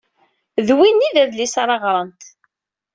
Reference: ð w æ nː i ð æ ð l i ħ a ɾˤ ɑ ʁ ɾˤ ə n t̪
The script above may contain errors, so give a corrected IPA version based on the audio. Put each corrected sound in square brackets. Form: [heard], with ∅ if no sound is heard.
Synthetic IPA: ð w [i] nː i ð æ ð l i [s] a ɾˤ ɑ ʁ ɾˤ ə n t̪